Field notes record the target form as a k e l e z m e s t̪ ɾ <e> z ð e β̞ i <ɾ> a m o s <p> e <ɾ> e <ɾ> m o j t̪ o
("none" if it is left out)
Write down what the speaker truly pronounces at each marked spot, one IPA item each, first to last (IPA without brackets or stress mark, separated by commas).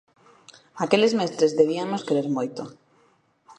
e, none, k, ɾ, ɾ